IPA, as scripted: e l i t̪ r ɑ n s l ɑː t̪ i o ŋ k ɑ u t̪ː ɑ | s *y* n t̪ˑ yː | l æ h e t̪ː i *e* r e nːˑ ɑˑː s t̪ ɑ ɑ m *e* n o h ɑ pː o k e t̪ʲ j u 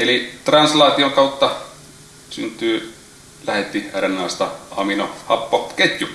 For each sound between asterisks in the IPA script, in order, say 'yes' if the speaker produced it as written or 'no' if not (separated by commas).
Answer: yes, no, no